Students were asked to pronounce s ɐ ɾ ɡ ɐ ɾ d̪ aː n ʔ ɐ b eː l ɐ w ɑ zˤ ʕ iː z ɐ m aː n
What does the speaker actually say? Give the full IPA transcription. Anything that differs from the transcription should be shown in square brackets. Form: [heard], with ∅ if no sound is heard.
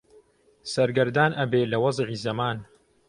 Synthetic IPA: s ɐ ɾ ɡ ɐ ɾ d̪ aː n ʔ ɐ b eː l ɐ w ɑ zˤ ʕ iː z ɐ m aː n